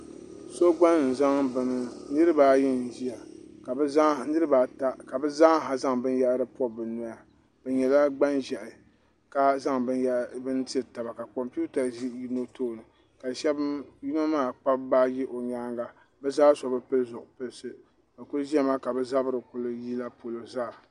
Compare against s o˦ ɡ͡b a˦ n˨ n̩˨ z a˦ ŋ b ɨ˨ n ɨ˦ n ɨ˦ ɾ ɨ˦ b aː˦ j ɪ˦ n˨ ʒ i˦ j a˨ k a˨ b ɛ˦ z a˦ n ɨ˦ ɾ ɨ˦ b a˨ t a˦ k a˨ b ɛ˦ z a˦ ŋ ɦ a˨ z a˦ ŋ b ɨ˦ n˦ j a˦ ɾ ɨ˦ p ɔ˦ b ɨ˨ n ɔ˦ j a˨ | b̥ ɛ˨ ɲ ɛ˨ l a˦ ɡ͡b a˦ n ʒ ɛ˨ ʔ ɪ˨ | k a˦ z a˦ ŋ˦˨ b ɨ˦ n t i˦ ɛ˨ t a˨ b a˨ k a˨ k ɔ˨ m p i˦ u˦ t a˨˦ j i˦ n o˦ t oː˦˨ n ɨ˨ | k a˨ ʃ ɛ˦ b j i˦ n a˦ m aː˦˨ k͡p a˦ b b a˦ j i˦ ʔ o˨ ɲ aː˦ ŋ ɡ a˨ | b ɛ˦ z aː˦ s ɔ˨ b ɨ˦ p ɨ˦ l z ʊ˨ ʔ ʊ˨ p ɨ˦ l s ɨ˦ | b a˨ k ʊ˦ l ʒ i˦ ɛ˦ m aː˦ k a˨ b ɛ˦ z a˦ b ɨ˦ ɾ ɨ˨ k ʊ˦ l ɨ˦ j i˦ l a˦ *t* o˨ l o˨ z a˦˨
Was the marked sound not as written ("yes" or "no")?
yes